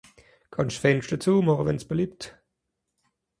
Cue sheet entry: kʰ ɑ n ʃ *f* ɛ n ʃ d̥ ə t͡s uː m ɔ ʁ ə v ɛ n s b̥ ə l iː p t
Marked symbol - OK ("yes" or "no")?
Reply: yes